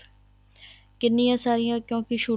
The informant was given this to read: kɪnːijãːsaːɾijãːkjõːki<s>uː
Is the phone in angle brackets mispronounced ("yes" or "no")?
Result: yes